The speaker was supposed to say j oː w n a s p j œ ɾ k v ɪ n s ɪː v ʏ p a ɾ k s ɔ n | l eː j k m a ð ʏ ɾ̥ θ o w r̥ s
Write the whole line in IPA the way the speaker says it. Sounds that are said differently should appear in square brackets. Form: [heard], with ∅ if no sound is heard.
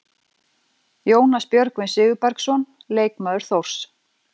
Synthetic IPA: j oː w n a s p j œ ɾ k v ɪ n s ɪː [ɣ] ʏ p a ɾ k s ɔ n | l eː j k m a ð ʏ ɾ̥ θ o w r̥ s